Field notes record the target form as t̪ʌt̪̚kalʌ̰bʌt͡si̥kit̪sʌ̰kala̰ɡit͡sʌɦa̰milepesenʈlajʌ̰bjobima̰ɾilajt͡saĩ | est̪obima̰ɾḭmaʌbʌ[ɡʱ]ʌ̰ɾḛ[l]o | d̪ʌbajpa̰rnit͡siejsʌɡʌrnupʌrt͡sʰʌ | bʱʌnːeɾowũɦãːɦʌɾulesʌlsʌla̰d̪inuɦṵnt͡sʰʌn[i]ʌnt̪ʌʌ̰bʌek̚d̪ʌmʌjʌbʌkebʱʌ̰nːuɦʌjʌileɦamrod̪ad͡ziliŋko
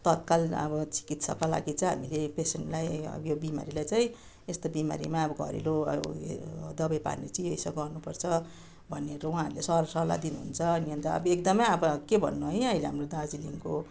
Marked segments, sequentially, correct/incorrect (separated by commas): correct, correct, correct